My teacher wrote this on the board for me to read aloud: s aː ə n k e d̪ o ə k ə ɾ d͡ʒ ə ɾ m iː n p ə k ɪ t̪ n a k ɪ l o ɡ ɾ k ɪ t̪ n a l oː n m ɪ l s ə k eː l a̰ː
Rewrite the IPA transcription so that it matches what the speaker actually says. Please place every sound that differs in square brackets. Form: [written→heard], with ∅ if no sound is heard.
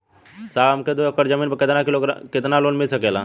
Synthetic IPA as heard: s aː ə [n→m] k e d̪ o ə k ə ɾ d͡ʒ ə [ɾ→∅] m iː n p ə k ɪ t̪ n a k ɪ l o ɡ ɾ k ɪ t̪ n a l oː n m ɪ l s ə k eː l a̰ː